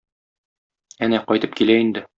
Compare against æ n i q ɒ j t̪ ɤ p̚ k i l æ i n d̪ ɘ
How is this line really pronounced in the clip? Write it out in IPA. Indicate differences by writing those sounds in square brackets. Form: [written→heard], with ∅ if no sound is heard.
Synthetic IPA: æ n [i→æ] q ɒ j t̪ ɤ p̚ k i l æ i n d̪ ɘ